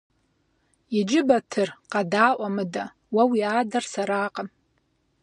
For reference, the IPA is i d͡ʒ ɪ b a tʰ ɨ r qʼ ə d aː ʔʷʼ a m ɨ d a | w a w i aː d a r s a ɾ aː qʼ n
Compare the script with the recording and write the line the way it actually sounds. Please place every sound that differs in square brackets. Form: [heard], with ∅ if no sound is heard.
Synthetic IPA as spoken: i d͡ʒ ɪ b a tʰ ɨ r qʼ [a] d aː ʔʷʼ a m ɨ d a | w a w i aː d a r s a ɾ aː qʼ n